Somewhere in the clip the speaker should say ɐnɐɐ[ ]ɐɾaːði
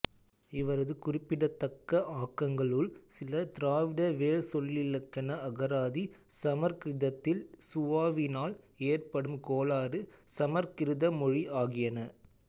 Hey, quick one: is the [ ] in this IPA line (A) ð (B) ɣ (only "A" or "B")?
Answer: B